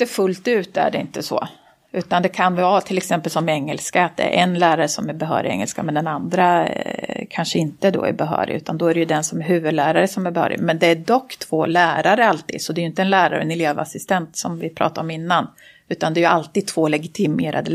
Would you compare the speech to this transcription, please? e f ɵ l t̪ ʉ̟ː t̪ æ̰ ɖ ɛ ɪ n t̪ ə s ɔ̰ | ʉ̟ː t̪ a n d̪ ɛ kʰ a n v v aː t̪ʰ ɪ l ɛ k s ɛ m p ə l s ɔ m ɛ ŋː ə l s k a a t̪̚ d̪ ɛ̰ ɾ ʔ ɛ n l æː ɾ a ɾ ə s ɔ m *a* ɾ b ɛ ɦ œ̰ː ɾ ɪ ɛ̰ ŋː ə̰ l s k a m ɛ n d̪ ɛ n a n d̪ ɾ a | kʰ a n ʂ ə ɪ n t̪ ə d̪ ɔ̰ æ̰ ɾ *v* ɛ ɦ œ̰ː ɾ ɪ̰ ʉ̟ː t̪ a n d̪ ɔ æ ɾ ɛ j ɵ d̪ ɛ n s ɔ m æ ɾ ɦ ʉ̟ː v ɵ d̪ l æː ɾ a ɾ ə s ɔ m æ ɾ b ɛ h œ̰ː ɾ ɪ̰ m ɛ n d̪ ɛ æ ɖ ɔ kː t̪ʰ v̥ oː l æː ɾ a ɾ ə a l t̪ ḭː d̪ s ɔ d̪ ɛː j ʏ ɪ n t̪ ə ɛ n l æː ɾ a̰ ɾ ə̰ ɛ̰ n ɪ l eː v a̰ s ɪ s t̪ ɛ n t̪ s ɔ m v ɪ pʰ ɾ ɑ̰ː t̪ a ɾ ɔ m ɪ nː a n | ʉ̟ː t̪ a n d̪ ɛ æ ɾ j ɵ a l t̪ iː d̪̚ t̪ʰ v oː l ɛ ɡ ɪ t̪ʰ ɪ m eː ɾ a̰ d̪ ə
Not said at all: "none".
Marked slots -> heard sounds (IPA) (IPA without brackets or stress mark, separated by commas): æ, b